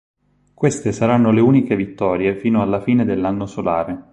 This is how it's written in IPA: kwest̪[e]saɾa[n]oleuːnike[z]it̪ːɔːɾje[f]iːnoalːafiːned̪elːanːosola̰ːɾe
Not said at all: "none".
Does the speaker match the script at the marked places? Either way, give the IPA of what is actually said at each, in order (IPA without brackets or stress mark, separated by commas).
e, nː, v, f